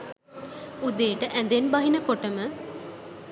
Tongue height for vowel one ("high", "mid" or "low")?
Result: high